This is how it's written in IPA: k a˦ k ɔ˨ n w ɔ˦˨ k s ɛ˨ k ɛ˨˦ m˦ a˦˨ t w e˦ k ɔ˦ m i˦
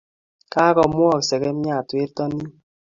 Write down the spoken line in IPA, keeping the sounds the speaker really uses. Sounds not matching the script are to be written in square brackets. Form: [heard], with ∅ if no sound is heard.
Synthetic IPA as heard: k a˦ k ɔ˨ [m] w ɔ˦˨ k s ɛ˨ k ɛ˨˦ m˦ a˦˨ t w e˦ [t] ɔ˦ [n] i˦